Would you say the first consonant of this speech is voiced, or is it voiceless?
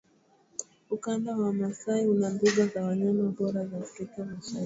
voiceless